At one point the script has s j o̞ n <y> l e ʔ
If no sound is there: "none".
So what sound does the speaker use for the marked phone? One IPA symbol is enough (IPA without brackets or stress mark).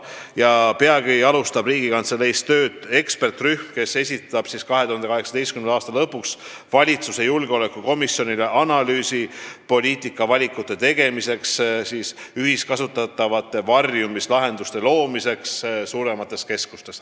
i